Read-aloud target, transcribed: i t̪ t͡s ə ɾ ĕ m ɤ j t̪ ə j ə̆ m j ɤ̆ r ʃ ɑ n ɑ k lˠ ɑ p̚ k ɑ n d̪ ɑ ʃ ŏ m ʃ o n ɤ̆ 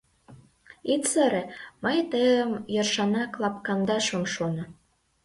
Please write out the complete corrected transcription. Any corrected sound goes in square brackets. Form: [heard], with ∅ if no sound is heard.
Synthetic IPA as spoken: i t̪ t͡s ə ɾ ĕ m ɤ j t̪ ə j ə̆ m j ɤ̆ r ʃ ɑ n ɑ k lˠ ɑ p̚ k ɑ n d̪ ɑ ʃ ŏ m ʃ o n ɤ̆

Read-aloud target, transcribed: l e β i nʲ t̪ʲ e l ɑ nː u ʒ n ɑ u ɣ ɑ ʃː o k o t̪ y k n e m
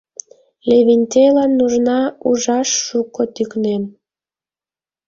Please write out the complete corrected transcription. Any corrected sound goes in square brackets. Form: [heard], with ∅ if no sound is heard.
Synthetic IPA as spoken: l e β i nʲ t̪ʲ e l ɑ nː u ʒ n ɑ u [ʒ] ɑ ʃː [u] k o t̪ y k n e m

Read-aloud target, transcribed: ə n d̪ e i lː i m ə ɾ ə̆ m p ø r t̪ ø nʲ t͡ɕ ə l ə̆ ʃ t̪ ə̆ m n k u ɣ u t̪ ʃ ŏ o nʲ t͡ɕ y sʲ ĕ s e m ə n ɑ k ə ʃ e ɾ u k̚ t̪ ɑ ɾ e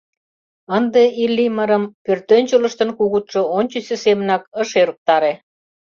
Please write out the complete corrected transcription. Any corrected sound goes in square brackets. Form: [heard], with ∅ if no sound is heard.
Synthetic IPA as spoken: ə n d̪ e i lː i m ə ɾ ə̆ m p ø r t̪ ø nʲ t͡ɕ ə l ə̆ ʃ t̪ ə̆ [∅] n k u ɣ u t̪ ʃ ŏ o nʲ t͡ɕ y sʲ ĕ s e m ə n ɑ k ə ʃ e ɾ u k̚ t̪ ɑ ɾ e

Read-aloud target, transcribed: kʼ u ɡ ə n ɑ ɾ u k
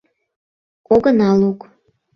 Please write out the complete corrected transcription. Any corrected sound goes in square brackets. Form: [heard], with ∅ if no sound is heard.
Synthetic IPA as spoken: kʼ [o] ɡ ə n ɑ [l] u k

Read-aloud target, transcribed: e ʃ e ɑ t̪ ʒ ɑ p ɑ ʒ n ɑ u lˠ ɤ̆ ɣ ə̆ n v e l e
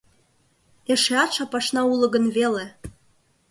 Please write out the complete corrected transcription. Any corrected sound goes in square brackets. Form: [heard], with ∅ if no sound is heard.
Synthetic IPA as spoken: e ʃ e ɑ t̪ [ʃ] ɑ p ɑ [ʃ] n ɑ u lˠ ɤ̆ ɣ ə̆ n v e l e

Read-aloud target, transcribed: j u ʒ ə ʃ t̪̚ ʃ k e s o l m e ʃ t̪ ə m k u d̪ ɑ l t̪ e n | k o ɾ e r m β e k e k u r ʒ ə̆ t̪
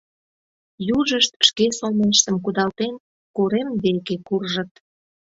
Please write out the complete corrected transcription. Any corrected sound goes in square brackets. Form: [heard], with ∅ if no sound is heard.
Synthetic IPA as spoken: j u ʒ ə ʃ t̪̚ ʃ k e s o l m e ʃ t̪ ə m k u d̪ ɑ l t̪ e n | k o ɾ e [∅] m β e k e k u r ʒ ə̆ t̪

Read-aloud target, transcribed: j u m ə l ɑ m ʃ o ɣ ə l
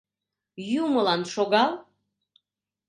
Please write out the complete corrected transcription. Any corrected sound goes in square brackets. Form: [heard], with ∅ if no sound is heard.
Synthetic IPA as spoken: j u m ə l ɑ [n] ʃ o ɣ [ɑ] l

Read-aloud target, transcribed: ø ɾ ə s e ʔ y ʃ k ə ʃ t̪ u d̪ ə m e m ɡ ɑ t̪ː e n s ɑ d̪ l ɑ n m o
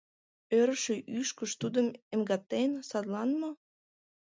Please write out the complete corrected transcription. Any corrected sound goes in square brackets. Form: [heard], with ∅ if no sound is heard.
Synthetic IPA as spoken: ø ɾ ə [ʃ] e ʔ y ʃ k ə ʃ t̪ u d̪ ə m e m ɡ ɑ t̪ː e n s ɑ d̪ l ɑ n m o

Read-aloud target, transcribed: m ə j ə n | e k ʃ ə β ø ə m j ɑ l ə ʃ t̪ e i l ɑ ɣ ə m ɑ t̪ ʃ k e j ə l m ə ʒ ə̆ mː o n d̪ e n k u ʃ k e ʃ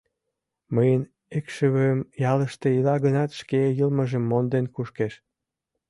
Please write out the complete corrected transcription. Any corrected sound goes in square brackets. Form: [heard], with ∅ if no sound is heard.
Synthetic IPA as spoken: m ə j ə n | e k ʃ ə β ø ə m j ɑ l ə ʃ t̪ e i l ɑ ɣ ə [n] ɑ t̪ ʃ k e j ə l m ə ʒ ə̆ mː o n d̪ e n k u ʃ k e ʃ

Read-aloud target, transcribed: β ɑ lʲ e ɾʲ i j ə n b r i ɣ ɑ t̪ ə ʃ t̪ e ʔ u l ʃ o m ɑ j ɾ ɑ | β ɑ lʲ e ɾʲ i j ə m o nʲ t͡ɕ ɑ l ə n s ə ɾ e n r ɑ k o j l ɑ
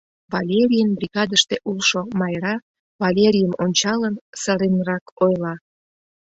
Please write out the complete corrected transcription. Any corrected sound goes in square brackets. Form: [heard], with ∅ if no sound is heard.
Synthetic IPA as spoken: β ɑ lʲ e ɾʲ i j ə n b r i ɣ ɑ [d̪] ə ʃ t̪ e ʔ u l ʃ o m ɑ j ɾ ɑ | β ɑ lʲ e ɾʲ i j ə m o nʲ t͡ɕ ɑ l ə n s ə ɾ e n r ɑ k o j l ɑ

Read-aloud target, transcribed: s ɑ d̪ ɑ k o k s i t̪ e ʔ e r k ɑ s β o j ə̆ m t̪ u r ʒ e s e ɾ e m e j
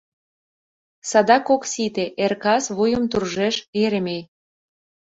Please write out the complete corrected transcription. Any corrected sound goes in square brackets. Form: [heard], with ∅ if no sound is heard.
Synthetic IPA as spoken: s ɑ d̪ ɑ k o k s i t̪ e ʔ e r k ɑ s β [u] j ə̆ m t̪ u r ʒ e [ʃ] e ɾ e m e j

